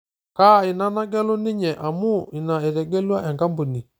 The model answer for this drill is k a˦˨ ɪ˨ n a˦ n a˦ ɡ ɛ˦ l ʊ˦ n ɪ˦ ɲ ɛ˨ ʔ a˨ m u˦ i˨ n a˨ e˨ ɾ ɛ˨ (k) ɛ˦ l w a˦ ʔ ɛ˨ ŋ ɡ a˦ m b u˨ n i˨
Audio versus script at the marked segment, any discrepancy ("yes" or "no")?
yes